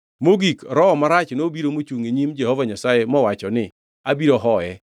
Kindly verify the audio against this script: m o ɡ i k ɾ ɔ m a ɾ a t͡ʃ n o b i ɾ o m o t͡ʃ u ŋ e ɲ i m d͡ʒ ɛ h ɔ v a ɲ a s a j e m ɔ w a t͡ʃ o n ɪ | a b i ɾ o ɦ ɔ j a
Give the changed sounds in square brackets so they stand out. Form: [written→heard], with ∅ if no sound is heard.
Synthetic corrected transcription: m o ɡ i k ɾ ɔ m a ɾ a t͡ʃ n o b i ɾ o m o t͡ʃ u ŋ e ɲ i m d͡ʒ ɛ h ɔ v a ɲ a s a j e m ɔ w a t͡ʃ [o→ɔ] n ɪ | a b i ɾ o ɦ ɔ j [a→ɛ]